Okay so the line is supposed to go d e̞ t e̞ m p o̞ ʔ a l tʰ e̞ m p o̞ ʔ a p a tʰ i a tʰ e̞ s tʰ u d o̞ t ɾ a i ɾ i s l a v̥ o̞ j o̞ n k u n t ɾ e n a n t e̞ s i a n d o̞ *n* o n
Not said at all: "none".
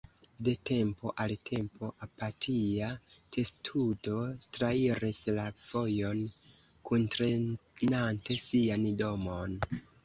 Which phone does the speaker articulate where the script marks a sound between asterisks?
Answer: m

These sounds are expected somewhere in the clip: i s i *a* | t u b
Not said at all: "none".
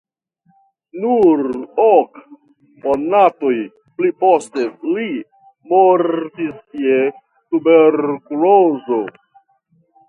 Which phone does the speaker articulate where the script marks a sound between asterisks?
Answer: e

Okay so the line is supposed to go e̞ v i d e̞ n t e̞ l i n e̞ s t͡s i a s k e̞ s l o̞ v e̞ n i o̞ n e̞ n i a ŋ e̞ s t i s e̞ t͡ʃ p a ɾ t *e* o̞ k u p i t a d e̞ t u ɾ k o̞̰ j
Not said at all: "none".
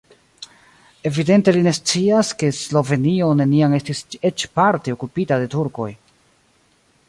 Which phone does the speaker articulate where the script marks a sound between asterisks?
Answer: e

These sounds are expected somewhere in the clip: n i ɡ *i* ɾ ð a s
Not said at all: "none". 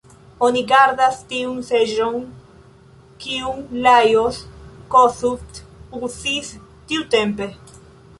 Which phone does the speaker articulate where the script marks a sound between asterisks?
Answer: a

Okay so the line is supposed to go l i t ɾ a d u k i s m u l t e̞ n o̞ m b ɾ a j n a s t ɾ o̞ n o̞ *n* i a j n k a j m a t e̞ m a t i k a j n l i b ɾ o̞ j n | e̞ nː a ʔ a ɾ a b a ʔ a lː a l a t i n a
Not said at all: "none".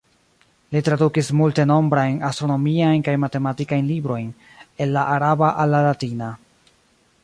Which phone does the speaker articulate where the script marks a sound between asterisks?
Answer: m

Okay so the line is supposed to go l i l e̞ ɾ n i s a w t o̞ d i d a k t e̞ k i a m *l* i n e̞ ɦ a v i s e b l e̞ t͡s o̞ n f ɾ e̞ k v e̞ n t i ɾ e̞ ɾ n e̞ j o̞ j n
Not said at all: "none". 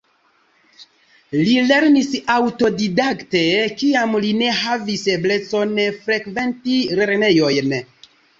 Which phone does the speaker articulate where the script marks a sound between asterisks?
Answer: l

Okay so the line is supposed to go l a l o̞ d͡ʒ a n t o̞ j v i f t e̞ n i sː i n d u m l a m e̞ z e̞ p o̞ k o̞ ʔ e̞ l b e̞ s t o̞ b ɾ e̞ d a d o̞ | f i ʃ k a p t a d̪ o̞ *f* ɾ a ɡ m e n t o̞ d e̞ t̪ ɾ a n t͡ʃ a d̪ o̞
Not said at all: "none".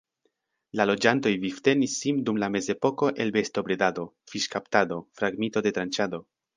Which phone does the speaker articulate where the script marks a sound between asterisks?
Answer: f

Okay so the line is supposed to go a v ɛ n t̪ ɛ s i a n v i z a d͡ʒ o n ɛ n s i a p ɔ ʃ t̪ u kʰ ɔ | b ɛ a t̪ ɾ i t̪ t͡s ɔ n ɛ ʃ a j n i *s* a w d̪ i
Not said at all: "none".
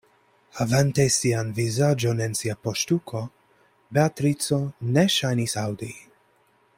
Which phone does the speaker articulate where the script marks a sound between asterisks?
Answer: s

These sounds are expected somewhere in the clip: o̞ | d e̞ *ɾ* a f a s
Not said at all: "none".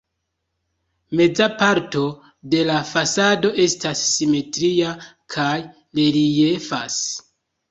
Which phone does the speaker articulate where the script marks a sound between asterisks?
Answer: l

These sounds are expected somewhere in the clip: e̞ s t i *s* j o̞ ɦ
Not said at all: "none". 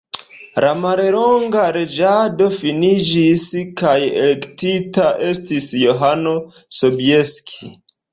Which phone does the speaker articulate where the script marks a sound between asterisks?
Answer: s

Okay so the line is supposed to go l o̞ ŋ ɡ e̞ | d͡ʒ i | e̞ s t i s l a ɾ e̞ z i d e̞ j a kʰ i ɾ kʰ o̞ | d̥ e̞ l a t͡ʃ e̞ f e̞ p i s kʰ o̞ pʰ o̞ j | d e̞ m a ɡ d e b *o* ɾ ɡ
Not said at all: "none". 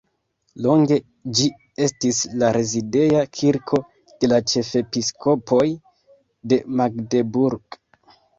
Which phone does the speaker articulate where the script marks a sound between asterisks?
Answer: u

